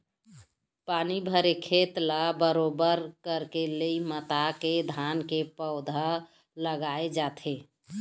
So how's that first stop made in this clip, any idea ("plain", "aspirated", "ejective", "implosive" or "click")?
plain